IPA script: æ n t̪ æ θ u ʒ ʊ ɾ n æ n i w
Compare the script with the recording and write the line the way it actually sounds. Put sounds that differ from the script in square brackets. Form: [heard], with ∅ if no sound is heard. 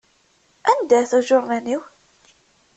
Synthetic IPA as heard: æ n [d̪] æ θ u ʒ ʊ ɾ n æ n i w